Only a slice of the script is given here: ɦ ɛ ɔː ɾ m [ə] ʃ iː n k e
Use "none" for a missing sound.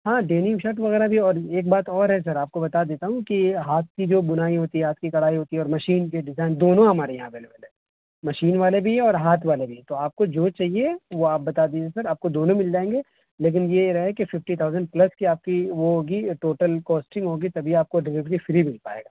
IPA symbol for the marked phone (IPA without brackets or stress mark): ɐ